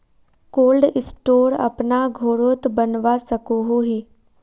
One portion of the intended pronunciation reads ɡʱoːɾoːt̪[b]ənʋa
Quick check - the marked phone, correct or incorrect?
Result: correct